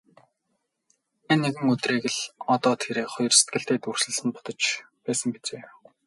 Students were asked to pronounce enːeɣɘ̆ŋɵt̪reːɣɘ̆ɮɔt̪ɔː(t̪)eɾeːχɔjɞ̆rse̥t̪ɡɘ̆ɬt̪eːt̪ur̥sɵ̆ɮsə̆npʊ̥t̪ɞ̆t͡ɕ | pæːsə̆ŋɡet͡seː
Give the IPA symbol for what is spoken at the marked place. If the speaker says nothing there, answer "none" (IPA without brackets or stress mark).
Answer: t̪ʰ